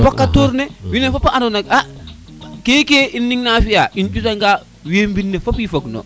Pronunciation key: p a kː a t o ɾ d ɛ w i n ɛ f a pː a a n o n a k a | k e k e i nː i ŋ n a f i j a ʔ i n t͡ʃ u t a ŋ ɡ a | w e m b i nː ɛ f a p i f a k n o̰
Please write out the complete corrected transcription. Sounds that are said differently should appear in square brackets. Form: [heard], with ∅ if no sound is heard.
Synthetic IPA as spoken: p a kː a t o ɾ [n] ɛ w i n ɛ f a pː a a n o n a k a | k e k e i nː i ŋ n a f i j a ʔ i n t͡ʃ u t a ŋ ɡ a | w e m b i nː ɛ f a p i f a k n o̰

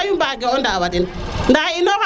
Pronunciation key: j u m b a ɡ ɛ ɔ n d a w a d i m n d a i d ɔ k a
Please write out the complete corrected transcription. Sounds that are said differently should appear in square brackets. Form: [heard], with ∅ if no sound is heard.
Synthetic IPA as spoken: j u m b a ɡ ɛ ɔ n d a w a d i [n] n d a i [n] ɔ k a

